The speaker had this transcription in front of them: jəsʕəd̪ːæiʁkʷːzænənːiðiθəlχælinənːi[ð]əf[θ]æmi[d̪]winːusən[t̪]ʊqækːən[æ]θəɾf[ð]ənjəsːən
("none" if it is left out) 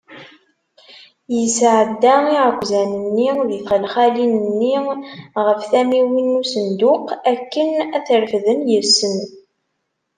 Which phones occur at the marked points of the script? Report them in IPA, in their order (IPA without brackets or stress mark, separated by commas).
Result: ʁ, θ, none, d̪, æ, ð